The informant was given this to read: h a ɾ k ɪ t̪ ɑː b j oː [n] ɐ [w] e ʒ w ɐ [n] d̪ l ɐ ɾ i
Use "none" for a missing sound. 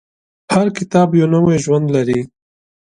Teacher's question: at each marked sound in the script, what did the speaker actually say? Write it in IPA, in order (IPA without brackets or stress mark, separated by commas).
n, w, n